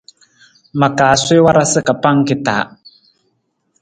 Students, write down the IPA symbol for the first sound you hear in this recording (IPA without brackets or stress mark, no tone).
m